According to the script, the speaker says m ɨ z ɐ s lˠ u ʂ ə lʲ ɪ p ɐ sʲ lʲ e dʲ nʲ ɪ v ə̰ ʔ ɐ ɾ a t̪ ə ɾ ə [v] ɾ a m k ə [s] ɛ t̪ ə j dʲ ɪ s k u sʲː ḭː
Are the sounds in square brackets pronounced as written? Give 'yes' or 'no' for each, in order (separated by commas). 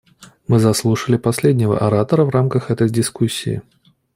yes, no